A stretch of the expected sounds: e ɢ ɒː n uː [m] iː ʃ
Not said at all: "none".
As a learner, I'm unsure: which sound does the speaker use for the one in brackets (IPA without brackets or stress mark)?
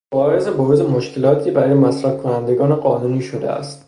n